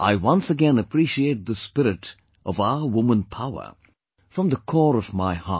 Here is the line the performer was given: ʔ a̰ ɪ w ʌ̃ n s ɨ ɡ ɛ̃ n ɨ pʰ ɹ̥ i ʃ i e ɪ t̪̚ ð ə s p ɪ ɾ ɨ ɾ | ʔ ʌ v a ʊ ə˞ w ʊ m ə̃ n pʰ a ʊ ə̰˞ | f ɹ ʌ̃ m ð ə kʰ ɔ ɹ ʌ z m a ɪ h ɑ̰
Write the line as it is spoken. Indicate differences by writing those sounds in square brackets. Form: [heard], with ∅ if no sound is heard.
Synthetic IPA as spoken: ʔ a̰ ɪ w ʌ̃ n s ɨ ɡ ɛ̃ n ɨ pʰ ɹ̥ i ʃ i e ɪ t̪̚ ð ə s p ɪ ɾ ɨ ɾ | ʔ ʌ v a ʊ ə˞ w ʊ m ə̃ n pʰ a ʊ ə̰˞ | f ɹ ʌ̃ m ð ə kʰ ɔ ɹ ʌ [v] m a ɪ h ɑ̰